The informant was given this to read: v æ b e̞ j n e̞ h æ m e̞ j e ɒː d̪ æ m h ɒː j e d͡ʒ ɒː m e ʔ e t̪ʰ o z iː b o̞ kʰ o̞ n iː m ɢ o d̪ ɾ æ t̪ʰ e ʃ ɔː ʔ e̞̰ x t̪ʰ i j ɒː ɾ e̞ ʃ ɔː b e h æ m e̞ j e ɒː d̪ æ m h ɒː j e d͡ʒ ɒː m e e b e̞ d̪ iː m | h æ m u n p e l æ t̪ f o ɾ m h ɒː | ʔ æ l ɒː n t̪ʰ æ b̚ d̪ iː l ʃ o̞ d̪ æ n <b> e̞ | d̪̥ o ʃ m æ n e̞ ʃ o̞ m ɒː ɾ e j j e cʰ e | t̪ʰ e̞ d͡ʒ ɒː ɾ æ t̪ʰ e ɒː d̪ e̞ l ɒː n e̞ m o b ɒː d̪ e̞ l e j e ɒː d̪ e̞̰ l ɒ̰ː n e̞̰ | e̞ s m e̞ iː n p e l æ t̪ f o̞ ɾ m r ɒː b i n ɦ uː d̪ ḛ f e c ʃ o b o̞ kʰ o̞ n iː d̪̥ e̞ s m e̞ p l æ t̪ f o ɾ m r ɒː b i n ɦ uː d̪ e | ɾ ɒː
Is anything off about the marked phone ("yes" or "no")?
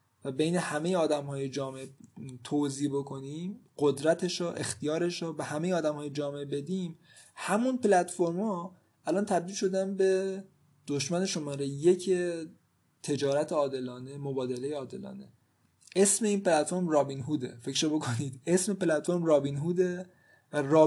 no